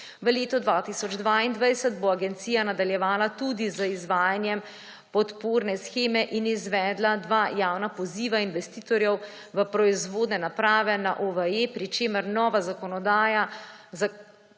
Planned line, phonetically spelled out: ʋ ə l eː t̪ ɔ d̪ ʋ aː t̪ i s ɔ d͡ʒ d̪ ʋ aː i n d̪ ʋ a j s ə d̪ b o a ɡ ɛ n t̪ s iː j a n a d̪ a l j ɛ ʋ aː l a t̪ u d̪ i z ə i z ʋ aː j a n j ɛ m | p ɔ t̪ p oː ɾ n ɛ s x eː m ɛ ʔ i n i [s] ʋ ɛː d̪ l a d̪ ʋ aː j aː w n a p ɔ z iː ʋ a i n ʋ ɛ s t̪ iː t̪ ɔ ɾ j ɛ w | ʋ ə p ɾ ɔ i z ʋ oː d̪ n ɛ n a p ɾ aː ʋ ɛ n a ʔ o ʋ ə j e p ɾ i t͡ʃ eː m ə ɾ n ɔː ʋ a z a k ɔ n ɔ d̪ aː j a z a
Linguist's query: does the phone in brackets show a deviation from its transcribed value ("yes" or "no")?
yes